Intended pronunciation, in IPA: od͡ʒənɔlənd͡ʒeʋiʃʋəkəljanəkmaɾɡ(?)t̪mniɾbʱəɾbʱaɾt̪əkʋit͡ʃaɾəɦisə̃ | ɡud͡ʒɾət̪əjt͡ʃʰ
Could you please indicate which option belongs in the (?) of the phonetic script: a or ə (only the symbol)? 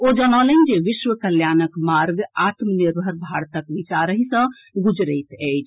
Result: a